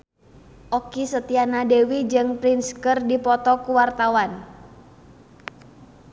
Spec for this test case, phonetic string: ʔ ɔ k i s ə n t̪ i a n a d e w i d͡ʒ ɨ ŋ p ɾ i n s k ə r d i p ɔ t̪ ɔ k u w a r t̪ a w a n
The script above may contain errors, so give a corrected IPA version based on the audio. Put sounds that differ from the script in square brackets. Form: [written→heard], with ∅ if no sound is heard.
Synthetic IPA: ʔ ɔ k i s ə [n→∅] t̪ i a n a d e w i d͡ʒ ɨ ŋ p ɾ i n s k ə r d i p ɔ t̪ ɔ k u w a r t̪ a w a n